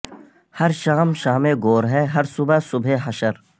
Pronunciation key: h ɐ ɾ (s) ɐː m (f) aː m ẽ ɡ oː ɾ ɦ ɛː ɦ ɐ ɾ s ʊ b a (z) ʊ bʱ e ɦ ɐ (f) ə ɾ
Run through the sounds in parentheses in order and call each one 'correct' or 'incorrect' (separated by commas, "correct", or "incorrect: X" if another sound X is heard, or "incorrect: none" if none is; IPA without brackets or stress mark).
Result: incorrect: ʃ, incorrect: ʃ, incorrect: s, incorrect: ʃ